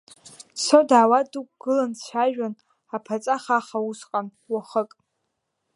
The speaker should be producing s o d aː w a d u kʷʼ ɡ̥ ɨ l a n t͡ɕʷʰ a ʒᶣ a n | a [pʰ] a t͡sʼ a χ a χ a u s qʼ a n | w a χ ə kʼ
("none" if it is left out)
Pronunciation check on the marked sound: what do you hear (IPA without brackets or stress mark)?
pʰ